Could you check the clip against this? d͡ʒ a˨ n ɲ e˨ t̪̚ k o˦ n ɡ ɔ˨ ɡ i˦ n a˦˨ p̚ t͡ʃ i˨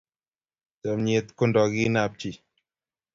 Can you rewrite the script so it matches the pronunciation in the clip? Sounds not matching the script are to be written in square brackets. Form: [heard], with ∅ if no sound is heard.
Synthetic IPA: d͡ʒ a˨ [m] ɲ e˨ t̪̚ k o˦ n [d] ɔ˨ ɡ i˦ n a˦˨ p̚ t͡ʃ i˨